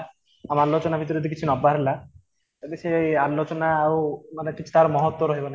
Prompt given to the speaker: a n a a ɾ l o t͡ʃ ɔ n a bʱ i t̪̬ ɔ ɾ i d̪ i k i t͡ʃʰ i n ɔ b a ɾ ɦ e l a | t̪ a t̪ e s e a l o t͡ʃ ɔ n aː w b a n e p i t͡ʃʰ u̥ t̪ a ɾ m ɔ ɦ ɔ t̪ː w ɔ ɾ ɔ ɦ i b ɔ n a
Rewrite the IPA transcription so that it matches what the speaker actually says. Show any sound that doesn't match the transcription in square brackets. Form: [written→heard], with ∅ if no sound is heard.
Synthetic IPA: a [n→m] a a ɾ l o t͡ʃ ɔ n a bʱ i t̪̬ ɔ ɾ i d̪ i k i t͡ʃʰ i n ɔ b a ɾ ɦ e l a | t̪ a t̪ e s e a l o t͡ʃ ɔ n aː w [b→m] a n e [p→k] i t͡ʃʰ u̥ t̪ a ɾ m ɔ ɦ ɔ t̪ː w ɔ ɾ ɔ ɦ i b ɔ n a

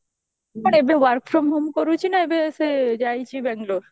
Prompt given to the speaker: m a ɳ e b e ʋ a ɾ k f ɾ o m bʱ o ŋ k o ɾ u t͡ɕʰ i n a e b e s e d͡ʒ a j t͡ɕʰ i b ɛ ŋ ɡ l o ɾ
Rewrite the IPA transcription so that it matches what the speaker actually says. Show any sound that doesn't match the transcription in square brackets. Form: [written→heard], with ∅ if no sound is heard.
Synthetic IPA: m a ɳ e b e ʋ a ɾ k f ɾ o m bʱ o [ŋ→m] k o ɾ u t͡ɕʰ i n a e b e s e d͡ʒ a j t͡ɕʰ i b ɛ ŋ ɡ l o ɾ

